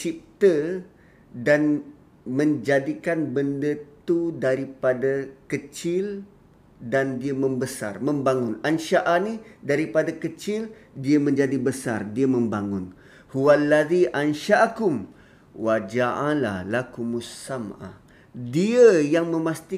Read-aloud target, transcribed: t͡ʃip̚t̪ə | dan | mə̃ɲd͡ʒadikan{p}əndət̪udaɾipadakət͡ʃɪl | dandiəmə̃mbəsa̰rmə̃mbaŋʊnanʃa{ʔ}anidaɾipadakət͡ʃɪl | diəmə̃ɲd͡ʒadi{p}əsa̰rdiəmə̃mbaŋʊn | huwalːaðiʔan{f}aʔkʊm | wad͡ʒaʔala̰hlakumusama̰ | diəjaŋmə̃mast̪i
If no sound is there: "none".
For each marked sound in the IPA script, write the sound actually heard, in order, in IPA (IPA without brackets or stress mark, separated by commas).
b, ʔ, b, ʃ